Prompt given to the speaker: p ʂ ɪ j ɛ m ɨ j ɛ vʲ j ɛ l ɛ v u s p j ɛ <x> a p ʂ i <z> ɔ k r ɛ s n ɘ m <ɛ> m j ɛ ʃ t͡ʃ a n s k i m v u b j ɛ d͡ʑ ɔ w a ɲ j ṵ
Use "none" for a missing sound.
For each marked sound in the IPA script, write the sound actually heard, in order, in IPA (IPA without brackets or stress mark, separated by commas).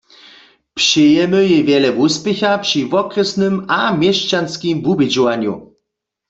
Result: x, v, a